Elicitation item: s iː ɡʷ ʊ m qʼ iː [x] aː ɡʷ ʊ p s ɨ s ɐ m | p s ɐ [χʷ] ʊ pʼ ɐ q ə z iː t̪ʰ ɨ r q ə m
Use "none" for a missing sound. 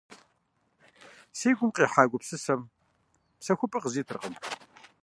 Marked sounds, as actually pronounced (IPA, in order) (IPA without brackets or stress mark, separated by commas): ħ, xʷ